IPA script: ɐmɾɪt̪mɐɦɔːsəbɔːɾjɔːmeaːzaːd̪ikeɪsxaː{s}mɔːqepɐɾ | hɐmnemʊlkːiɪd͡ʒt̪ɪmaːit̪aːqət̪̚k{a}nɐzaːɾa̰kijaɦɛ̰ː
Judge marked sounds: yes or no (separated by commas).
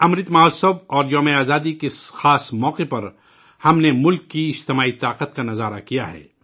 yes, yes